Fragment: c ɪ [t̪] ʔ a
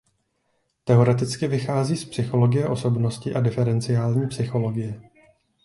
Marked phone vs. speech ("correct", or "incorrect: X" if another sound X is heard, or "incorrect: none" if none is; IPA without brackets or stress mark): incorrect: none